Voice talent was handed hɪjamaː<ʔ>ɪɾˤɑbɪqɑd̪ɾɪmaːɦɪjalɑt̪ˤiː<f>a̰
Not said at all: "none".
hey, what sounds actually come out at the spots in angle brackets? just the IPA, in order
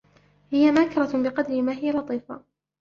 k, f

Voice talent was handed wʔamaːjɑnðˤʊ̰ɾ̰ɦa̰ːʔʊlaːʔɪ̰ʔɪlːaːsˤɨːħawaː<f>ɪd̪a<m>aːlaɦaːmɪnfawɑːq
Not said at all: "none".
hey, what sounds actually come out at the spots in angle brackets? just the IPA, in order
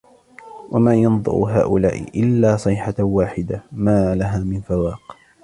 ħ, m

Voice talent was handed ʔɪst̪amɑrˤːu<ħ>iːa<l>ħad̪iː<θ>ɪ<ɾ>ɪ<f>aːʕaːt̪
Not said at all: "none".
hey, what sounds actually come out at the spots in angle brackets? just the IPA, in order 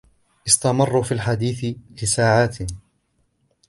f, l, θ, l, s

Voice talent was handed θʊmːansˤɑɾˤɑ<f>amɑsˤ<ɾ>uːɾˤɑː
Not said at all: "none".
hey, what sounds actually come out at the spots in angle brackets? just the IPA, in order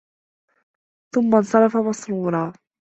f, ɾ

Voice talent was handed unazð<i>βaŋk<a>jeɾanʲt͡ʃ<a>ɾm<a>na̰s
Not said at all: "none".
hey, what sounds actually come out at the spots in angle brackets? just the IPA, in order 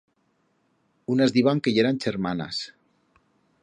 i, e, e, a

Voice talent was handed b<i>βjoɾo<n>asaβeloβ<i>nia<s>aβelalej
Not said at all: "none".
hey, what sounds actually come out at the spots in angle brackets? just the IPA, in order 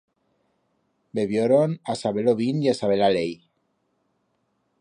e, n, i, s

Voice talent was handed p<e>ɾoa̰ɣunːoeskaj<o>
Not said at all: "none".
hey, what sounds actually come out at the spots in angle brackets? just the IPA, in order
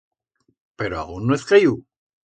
e, u

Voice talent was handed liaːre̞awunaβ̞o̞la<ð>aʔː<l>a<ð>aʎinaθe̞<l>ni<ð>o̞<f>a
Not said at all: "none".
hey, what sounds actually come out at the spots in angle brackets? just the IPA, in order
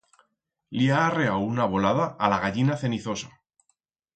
ð, l, ɣ, none, θ, s

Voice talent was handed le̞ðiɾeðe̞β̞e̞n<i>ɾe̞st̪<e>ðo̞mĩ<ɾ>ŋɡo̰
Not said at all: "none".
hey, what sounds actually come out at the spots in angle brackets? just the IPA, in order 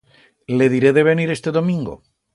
i, e, none

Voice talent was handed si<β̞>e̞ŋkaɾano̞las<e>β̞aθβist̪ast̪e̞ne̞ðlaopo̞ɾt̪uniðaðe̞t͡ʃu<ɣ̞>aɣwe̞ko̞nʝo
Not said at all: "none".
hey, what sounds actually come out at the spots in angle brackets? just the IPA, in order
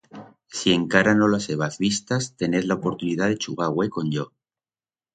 none, e, ɣ̞

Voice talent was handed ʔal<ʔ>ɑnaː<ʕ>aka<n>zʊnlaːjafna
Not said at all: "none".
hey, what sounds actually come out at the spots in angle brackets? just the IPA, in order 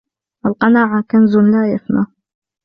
q, ʕ, n

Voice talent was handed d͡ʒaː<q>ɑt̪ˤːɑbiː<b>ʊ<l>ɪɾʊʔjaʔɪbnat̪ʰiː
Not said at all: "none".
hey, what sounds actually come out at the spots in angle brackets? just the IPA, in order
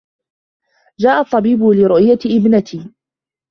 ʔ, b, l

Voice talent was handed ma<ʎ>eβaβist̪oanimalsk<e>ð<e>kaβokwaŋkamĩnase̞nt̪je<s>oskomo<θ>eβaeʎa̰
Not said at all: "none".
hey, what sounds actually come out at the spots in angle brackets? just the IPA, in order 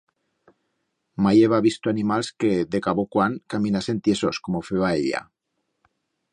j, e, e, s, f

